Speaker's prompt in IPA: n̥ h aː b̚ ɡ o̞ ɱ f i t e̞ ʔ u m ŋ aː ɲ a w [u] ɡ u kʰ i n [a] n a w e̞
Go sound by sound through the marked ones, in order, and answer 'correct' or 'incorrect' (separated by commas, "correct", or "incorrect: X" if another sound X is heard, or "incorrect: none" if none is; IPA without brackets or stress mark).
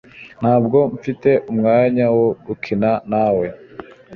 incorrect: o, correct